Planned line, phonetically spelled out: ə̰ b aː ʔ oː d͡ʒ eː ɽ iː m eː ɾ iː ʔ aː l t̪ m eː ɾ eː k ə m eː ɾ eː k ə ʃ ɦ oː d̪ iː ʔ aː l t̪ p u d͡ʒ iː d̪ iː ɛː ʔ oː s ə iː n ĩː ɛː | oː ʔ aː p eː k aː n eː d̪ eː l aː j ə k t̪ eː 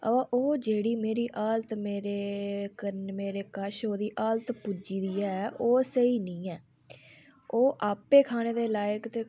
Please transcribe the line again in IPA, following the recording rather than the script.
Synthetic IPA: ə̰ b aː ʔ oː d͡ʒ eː ɽ iː m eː ɾ iː ʔ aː l t̪ m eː ɾ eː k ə m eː ɾ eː k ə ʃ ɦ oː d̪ iː ʔ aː l t̪ p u d͡ʒ iː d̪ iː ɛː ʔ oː s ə iː n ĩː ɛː | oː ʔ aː p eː kʰ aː n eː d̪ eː l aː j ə k t̪ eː